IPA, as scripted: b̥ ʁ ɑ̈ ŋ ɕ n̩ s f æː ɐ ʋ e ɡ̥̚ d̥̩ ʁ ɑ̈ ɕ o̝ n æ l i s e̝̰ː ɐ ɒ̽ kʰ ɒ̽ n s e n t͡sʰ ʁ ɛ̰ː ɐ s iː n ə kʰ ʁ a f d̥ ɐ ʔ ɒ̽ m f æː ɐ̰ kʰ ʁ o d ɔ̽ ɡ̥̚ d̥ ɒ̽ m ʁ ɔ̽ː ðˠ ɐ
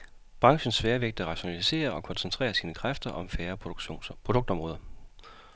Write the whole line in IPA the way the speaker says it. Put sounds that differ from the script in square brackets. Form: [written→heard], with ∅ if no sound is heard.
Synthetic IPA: b̥ ʁ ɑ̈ ŋ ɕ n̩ s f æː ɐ ʋ e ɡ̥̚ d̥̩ ʁ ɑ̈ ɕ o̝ n æ l i s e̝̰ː ɐ ɒ̽ kʰ ɒ̽ n s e n t͡sʰ ʁ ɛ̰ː ɐ s iː n ə kʰ ʁ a f d̥ ɐ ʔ ɒ̽ m f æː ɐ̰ [kʰ→pʰ] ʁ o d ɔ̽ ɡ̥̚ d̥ ɒ̽ m ʁ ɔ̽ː ðˠ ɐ